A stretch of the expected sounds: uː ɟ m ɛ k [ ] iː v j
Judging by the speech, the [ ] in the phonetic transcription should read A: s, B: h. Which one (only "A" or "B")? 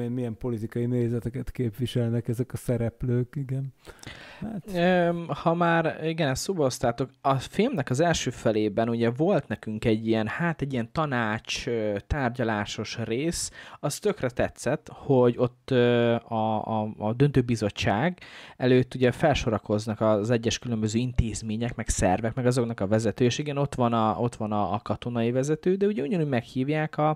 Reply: B